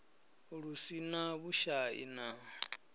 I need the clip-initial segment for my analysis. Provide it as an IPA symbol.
ɺ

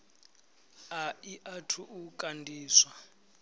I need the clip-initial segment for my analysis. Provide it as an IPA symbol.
a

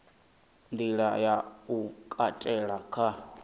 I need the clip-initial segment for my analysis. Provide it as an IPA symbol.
n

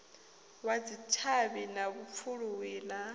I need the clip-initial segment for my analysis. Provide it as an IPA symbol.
w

